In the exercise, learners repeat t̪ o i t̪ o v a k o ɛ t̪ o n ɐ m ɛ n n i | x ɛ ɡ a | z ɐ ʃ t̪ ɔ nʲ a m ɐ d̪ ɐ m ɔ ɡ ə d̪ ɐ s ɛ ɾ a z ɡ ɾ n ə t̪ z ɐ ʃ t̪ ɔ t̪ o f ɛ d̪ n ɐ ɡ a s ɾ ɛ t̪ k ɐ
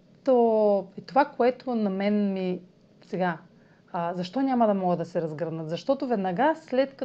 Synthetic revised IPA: t̪ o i t̪ o v a k o ɛ t̪ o n ɐ m ɛ n m i | s ɛ ɡ a | z ɐ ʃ t̪ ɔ nʲ a m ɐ d̪ ɐ m ɔ ɡ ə d̪ ɐ s ɛ ɾ ɐ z ɡ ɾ n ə t̪ z ɐ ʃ t̪ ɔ t̪ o v ɛ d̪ n ɐ ɡ a s l ɛ t̪ k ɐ